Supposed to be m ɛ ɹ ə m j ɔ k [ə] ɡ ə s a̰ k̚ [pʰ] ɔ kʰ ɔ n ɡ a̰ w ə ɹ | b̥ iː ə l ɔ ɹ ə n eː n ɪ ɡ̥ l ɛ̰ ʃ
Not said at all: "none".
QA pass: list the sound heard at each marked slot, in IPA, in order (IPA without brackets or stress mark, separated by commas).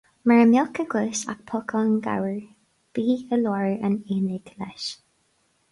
ə, pʰ